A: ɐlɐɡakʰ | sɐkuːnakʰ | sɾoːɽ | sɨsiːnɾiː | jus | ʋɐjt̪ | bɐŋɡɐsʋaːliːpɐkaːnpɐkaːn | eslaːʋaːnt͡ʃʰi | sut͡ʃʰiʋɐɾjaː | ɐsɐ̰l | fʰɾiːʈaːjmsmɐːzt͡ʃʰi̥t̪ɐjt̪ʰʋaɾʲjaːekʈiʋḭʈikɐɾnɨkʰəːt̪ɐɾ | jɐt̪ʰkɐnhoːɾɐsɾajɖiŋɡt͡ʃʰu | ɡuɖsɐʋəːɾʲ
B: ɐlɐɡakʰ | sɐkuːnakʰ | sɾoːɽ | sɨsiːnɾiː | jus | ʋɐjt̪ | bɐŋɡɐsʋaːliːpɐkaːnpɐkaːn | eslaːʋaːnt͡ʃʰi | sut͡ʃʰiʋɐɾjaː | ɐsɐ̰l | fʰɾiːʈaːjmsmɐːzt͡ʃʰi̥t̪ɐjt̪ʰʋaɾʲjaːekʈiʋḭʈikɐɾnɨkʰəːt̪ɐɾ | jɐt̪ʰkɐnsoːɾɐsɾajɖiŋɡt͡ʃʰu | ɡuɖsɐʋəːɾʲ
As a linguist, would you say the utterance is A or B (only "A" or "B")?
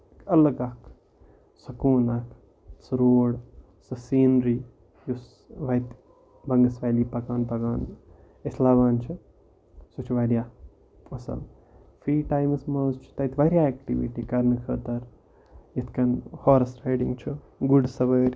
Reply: A